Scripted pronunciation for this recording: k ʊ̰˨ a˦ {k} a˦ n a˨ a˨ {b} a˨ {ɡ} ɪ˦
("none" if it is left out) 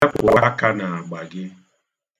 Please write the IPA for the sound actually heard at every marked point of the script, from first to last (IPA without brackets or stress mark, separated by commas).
k, ɡ͡b, ɡ